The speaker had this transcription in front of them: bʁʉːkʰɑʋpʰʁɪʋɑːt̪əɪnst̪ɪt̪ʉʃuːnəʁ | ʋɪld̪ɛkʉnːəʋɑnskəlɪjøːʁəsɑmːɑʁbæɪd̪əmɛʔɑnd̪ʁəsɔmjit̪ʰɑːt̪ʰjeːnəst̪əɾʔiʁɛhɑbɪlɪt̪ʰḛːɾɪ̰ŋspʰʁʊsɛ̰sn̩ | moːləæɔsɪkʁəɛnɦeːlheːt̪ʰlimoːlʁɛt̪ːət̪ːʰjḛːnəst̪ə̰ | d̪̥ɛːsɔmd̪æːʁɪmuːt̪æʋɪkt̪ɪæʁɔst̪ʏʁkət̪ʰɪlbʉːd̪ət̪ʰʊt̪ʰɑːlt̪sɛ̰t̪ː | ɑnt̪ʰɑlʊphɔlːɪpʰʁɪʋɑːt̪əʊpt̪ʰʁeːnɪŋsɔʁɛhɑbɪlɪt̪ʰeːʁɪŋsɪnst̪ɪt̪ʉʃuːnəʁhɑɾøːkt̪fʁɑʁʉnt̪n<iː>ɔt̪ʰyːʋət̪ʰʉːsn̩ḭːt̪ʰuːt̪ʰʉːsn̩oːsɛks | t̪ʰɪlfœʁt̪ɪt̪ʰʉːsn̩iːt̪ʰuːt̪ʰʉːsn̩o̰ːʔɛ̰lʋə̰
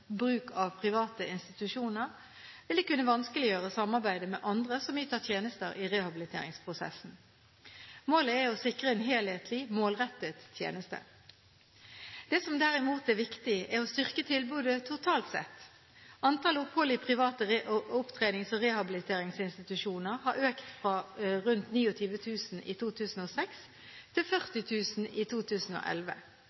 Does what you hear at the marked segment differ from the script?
no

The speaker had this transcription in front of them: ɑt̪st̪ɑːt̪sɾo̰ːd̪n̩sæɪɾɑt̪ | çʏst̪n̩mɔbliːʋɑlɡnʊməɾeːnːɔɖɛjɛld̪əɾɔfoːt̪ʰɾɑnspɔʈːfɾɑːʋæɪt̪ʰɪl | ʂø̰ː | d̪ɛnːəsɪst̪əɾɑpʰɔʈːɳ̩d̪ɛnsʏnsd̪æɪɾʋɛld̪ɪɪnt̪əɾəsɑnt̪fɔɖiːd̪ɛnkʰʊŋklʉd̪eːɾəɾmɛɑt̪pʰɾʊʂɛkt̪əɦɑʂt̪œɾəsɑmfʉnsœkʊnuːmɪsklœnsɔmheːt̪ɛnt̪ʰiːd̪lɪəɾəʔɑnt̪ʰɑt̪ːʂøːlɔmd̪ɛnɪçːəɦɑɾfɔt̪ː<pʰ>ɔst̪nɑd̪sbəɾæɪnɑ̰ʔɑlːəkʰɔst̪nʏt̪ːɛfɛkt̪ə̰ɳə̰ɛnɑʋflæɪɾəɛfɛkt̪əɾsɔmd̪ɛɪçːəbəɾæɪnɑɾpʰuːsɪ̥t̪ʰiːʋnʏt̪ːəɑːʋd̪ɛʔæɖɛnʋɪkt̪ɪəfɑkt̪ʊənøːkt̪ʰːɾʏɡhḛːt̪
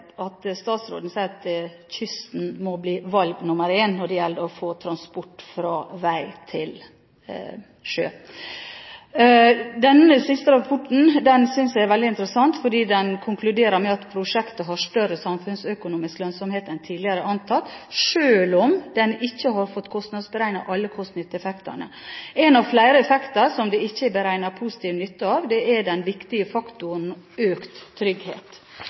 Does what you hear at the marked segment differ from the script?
yes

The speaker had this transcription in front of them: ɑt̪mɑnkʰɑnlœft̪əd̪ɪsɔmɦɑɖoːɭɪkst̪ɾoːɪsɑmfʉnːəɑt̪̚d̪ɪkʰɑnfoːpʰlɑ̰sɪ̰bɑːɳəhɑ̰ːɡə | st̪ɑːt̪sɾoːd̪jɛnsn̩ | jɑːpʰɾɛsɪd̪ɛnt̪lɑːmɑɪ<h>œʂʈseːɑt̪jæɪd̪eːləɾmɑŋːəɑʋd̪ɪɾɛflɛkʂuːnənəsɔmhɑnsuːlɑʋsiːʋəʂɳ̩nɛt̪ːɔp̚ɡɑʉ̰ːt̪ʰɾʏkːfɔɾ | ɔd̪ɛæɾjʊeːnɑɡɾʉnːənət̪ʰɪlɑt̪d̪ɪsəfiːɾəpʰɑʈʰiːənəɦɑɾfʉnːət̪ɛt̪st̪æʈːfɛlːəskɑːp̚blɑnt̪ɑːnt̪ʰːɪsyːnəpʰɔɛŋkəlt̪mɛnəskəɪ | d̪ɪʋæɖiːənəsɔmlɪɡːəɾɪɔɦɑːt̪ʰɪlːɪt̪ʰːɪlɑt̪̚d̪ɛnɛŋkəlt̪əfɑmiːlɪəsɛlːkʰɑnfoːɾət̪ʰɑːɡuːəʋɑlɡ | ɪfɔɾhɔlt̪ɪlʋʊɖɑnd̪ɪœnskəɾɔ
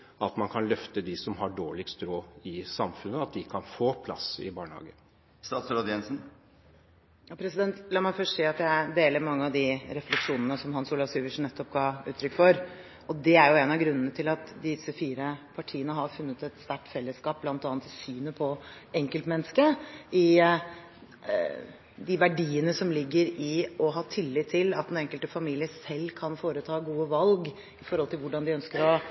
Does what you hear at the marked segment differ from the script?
yes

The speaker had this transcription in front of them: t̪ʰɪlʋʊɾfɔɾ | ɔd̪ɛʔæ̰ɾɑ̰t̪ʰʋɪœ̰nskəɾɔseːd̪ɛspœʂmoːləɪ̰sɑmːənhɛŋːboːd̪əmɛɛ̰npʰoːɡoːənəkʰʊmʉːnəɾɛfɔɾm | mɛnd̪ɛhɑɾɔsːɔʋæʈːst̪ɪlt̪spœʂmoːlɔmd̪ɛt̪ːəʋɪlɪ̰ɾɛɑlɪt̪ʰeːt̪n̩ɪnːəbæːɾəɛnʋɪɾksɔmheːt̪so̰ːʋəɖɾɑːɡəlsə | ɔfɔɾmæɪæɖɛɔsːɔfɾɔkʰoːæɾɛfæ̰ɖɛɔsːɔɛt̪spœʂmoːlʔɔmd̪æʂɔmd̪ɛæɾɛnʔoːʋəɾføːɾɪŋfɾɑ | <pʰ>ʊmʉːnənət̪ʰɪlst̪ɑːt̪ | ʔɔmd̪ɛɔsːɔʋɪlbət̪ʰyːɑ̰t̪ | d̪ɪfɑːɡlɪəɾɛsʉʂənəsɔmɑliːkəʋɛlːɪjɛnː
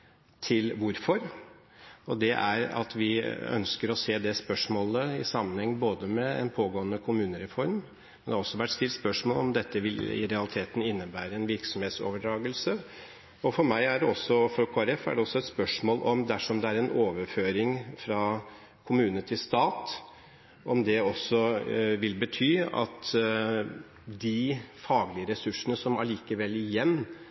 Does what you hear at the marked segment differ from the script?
yes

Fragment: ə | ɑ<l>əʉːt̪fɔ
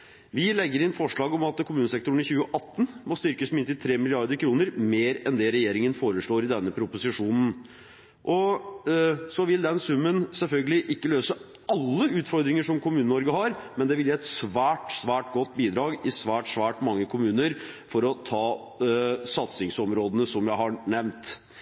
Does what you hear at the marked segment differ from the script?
yes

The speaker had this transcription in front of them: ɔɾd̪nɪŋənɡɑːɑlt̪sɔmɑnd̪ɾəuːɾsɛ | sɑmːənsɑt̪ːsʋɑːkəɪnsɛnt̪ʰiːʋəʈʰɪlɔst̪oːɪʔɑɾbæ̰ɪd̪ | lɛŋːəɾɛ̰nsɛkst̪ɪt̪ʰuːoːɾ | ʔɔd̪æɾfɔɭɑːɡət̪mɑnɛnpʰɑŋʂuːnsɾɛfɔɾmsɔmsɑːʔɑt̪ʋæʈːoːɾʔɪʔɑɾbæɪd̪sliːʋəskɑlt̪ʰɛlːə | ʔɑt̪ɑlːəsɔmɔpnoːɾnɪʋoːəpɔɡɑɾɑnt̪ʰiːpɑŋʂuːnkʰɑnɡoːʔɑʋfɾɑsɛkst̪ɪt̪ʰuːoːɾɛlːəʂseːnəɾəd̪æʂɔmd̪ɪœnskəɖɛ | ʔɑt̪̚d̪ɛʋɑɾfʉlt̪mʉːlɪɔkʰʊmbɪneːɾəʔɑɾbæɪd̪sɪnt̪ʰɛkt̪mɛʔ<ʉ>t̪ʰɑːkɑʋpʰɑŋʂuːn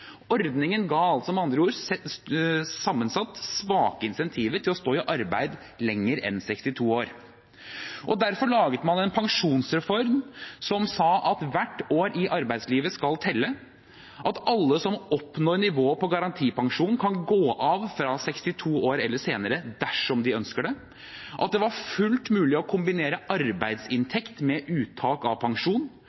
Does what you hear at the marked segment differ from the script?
yes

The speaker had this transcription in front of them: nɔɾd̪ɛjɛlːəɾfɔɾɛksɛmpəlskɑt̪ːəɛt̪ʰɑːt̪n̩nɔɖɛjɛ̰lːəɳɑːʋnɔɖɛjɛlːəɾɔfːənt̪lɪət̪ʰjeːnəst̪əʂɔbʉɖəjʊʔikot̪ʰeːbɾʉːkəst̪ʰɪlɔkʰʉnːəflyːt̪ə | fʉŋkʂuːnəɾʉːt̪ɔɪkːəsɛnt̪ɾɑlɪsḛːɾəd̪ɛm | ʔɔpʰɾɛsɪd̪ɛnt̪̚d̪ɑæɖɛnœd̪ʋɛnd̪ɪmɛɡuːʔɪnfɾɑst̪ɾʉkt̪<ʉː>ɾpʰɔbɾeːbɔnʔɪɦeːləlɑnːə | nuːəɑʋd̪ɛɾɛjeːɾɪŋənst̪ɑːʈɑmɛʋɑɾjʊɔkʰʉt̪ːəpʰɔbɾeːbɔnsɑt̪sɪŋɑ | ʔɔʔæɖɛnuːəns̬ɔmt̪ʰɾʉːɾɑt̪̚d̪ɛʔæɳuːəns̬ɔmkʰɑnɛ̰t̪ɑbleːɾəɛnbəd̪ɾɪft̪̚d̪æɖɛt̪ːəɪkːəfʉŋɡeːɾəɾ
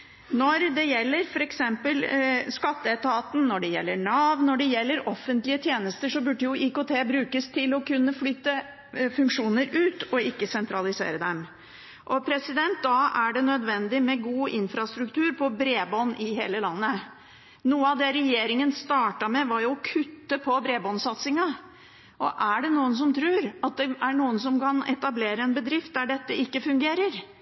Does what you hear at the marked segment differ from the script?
no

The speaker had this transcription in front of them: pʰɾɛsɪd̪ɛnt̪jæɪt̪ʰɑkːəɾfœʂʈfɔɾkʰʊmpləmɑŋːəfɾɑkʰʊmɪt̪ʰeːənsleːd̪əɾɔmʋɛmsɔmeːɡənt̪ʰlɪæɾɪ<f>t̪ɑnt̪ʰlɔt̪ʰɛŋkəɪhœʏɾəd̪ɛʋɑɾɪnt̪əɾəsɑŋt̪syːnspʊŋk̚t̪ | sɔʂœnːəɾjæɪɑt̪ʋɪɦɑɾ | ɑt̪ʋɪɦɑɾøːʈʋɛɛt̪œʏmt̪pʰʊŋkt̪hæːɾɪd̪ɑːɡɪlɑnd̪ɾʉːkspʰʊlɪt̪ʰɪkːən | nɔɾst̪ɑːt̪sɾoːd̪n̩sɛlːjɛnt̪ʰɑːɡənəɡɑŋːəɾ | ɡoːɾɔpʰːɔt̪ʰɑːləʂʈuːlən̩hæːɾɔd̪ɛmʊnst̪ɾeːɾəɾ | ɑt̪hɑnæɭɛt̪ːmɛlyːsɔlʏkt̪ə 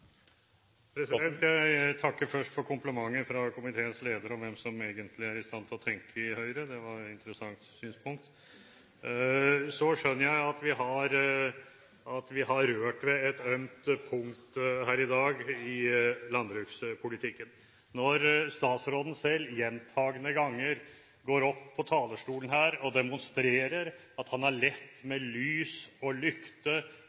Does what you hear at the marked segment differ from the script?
yes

